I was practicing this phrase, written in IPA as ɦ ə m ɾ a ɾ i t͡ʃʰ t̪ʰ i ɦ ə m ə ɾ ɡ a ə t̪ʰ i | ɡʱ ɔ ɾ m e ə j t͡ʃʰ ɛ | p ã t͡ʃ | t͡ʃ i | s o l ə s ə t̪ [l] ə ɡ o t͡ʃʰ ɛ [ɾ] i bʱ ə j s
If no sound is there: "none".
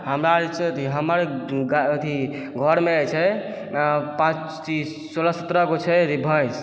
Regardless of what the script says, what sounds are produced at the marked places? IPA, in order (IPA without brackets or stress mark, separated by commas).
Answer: ɾ, ɾ